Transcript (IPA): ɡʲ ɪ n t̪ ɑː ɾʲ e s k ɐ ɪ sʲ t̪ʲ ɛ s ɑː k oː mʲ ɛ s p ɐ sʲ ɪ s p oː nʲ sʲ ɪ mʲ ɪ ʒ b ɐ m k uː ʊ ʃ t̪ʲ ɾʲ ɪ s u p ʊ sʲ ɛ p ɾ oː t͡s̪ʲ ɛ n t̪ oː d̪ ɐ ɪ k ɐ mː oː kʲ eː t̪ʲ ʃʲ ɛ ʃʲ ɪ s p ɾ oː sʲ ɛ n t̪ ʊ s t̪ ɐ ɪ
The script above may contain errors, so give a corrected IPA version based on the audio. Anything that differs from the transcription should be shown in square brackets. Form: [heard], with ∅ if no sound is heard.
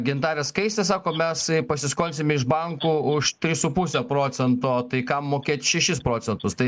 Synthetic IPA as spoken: ɡʲ ɪ n t̪ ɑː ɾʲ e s k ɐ ɪ sʲ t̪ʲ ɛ s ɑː k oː mʲ ɛ s p ɐ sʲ ɪ s [k] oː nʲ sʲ ɪ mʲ ɪ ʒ b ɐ [ŋ] k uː ʊ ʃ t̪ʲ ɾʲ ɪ s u p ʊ sʲ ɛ p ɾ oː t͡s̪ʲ ɛ n t̪ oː [t̪] ɐ ɪ k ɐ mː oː kʲ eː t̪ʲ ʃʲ ɛ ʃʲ ɪ s p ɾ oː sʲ ɛ n t̪ ʊ s t̪ ɐ ɪ